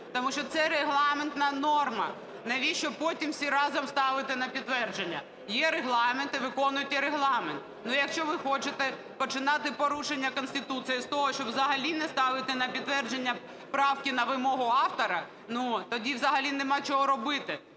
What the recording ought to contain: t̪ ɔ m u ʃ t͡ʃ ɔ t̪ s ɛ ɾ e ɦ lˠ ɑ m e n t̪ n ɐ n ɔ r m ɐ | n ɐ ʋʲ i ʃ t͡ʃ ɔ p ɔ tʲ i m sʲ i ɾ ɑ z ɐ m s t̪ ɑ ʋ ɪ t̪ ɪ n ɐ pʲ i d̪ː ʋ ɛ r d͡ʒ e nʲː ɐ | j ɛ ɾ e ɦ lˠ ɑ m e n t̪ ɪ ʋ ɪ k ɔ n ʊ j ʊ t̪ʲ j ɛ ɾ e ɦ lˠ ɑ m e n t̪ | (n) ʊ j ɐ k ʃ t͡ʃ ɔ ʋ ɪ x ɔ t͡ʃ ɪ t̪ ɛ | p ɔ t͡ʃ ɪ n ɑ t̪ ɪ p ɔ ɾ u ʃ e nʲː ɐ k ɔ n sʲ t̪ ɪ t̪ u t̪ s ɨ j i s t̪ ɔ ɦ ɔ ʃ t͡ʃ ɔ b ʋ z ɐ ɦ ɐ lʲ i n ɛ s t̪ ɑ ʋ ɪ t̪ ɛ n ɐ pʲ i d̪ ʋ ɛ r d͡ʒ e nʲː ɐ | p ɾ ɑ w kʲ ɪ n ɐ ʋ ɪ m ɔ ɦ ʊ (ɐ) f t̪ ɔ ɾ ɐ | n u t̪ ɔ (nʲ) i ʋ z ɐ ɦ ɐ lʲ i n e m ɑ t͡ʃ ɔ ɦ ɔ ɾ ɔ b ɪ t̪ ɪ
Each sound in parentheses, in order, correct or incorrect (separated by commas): correct, incorrect, incorrect